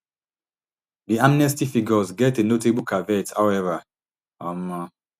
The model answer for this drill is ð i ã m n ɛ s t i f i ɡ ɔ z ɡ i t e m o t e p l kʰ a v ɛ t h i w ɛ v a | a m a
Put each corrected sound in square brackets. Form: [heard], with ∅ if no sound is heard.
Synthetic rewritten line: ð i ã m n ɛ s t i f i ɡ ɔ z ɡ [ɛ] t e [n] o t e [b] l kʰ a v ɛ t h [a] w ɛ v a | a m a

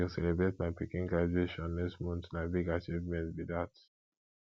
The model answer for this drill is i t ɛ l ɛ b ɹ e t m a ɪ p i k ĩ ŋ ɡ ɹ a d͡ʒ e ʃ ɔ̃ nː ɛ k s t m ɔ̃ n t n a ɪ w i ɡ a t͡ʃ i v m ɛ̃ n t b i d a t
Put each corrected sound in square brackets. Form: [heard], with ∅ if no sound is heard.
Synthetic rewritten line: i [s] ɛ l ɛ b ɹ e t m a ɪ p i k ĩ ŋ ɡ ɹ a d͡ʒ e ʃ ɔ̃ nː ɛ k s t m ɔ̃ n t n a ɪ [b] i ɡ a t͡ʃ i v m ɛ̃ n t b i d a t

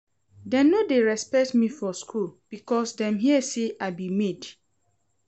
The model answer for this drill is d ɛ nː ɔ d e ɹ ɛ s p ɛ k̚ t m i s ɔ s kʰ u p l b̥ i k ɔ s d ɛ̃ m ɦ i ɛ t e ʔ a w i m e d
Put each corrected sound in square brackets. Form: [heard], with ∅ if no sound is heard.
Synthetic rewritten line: d ɛ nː [o] d e ɹ ɛ s p ɛ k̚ t m i [f] ɔ s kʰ u [∅] l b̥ i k ɔ s d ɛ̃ m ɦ i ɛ [s] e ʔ a [b] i m e d

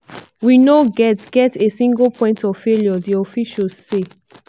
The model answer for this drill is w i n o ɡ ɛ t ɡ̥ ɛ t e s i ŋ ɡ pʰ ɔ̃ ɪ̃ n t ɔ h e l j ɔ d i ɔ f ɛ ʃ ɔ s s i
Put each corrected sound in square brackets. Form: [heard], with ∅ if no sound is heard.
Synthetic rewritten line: w i n o ɡ ɛ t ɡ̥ ɛ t e s [ĩ] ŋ ɡ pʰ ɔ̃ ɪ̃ n t ɔ [f] e l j ɔ d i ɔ f [i] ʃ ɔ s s [e]

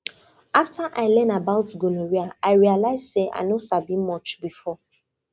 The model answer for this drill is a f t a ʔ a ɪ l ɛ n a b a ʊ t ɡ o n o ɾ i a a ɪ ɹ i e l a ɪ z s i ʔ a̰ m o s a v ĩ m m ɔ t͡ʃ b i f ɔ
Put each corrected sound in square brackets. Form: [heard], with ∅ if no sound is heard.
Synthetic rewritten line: a f t a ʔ a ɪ l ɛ n a b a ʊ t ɡ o n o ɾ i a a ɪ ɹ i [a] l a ɪ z s [e] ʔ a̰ [n] o s a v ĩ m m ɔ t͡ʃ b i f ɔ

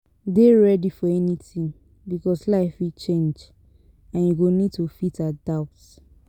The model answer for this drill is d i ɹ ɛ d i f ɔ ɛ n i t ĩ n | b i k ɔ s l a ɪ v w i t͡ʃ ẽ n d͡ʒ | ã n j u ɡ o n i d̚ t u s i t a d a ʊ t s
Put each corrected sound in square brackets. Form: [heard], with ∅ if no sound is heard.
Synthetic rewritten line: d [e] ɹ ɛ d i f ɔ ɛ n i t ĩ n | b i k ɔ s l a ɪ [f] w i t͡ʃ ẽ n d͡ʒ | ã n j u ɡ o n i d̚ t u [f] i t a d a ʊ t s

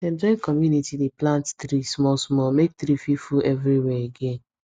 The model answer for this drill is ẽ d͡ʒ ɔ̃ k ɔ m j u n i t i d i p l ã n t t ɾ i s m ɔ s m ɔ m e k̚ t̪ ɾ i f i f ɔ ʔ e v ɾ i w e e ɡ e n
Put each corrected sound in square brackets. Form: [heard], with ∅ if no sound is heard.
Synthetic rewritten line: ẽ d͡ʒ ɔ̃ k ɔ m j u n i t i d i p l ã n t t ɾ i s m ɔ s m ɔ m e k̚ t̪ ɾ i f i f [u] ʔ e v ɾ i w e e ɡ e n

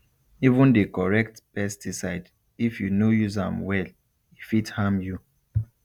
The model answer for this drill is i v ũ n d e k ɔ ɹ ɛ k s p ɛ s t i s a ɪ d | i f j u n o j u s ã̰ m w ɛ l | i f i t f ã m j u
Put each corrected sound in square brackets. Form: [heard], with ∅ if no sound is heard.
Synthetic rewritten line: i v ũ n d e k ɔ ɹ ɛ k [t] p ɛ s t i s a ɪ d | i f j u n o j u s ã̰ m w ɛ l | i f i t [h] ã m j u

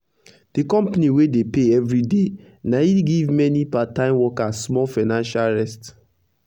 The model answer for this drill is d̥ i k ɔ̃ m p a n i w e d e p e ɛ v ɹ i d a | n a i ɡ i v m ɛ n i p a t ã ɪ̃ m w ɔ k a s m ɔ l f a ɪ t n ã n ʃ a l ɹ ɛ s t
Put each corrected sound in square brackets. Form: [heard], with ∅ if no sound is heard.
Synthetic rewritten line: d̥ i k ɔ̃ m p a n i w e d e p e ɛ v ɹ i d [e] | n a i ɡ i v m ɛ n i p a t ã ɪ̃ m w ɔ k a s m ɔ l f a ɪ [∅] n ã n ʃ a l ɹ ɛ s t

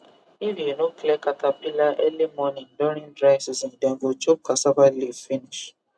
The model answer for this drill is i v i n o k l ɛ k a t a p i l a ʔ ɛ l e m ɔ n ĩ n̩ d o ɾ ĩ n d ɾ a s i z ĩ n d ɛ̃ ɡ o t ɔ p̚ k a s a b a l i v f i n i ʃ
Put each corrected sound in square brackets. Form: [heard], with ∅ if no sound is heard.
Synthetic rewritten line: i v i n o k l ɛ k a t a p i l a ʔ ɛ l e m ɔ n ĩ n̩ d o ɾ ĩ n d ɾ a s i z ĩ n d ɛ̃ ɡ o [t͡ʃ] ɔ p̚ k a s a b a l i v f i n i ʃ

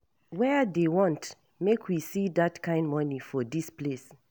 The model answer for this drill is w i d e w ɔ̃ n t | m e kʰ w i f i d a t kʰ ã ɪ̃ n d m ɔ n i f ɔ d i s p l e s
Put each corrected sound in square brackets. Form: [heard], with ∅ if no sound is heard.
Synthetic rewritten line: w [ɛ] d e w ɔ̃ n t | m e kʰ w i [s] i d a t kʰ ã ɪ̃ n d m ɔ n i f ɔ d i s p l e s

